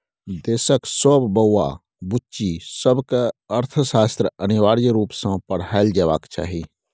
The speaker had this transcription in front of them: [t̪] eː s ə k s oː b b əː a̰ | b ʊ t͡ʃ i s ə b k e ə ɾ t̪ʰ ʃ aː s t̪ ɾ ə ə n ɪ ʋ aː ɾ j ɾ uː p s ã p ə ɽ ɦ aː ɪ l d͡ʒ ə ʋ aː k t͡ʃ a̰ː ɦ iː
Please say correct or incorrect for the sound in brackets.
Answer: incorrect